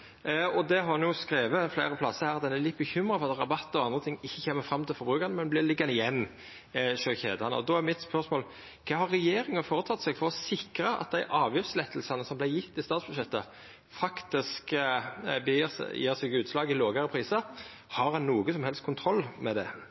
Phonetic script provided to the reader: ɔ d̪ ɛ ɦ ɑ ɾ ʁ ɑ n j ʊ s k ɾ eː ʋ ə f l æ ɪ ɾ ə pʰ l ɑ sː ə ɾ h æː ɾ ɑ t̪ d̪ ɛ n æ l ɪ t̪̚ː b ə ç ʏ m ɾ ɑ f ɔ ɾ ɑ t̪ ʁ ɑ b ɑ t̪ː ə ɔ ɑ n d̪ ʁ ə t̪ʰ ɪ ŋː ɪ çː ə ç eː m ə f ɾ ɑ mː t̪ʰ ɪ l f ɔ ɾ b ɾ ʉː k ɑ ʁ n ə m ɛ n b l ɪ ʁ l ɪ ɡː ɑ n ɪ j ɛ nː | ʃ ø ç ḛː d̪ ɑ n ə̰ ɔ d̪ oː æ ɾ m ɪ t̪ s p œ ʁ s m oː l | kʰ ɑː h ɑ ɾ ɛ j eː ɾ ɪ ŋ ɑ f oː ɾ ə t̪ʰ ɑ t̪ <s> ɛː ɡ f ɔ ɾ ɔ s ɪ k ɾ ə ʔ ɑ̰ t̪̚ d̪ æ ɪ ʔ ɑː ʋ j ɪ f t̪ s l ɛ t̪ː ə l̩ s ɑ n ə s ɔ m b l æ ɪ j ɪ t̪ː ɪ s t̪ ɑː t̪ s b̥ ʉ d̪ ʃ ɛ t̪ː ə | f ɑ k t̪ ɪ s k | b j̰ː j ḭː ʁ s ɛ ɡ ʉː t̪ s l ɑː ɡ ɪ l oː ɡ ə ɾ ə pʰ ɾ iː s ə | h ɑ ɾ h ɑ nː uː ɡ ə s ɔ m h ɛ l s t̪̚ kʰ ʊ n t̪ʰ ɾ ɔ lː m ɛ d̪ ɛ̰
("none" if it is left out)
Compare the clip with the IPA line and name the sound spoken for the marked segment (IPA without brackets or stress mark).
s